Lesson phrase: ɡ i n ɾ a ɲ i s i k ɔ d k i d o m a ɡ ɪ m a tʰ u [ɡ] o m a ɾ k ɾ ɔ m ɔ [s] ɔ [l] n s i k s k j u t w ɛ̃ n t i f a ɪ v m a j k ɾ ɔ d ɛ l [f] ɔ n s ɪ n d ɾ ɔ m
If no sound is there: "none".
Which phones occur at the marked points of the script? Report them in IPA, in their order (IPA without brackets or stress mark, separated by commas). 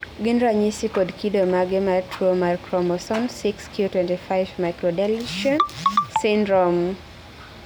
none, s, none, ʃ